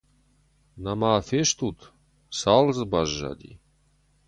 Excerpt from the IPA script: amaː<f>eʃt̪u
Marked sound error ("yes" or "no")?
no